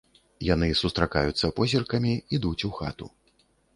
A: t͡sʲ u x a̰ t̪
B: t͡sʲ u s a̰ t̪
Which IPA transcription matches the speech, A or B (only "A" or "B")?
A